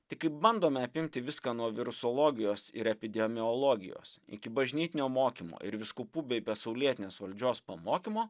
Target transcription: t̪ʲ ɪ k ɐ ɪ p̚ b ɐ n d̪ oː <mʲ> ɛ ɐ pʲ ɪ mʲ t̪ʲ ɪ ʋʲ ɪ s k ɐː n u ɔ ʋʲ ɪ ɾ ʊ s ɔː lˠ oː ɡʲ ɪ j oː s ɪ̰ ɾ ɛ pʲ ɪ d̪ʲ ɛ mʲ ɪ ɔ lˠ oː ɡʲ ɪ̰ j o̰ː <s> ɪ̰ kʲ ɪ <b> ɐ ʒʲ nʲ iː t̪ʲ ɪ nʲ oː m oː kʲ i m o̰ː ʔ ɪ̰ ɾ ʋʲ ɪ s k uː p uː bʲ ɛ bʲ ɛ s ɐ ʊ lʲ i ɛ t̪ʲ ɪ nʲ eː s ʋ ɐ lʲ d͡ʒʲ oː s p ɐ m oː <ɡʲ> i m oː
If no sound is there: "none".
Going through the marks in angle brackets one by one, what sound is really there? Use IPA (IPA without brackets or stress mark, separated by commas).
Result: mʲ, s, b, kʲ